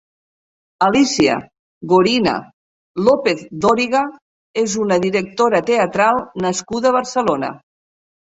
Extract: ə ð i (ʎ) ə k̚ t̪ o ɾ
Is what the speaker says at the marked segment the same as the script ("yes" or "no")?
no